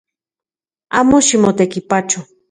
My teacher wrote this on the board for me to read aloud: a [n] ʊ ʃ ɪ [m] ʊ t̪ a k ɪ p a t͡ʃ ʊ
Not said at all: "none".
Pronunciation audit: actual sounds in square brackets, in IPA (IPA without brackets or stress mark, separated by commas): m, m